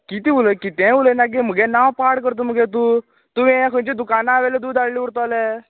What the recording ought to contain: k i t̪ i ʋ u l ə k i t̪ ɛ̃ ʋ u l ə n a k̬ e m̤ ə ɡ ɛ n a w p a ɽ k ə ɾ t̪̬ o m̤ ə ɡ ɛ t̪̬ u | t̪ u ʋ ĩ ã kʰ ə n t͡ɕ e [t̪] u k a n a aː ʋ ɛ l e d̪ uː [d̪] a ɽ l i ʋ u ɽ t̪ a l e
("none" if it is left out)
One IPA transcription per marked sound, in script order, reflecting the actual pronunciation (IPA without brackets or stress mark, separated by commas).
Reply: d̪, d̪